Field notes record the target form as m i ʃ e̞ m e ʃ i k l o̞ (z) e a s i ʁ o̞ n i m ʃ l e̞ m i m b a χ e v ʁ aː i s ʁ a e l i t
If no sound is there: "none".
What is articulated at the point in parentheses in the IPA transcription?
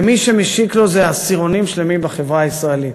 z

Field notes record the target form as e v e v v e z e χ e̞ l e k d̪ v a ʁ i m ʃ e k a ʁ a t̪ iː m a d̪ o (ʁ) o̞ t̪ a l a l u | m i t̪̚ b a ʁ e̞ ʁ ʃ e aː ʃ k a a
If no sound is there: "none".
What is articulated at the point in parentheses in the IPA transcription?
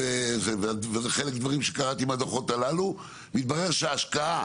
χ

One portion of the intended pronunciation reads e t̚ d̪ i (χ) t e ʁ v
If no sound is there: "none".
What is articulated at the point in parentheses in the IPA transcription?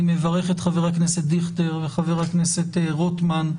χ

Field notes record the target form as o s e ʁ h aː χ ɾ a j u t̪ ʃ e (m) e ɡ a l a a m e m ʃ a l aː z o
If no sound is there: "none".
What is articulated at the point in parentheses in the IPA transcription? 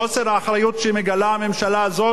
m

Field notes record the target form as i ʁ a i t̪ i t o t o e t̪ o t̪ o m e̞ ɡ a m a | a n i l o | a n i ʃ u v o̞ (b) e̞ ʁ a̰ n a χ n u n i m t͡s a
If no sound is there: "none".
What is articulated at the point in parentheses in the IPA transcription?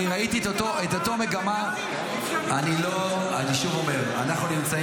m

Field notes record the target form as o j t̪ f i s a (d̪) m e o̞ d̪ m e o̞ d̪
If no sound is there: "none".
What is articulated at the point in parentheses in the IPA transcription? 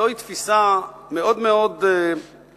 none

